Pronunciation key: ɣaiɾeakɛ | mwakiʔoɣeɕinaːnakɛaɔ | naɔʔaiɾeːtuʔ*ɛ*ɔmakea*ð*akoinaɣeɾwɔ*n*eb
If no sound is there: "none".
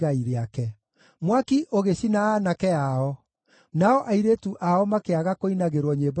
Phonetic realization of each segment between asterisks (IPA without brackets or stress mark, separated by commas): a, ɣ, ɲ